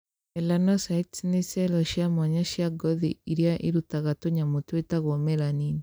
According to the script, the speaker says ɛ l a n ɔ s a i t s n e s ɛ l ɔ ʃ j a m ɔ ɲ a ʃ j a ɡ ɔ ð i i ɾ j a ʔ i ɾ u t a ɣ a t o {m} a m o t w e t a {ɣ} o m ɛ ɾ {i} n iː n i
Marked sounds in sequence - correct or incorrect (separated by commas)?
incorrect, correct, incorrect